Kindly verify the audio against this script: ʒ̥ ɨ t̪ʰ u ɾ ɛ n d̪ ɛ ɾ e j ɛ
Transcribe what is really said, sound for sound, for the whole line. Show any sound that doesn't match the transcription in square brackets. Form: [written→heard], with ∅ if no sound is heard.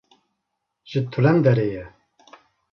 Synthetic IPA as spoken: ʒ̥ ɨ t̪ʰ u [ɾ→l] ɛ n d̪ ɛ ɾ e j ɛ